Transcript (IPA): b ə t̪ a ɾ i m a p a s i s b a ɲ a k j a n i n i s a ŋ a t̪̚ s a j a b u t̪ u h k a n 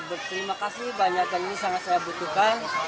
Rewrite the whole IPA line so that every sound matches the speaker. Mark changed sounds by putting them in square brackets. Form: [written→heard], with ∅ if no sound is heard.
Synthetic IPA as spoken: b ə t̪ [a→ə] ɾ i m a [p→k] a s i [s→h] b a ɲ a k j a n i n i s a ŋ a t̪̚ s a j a b u t̪ u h k a n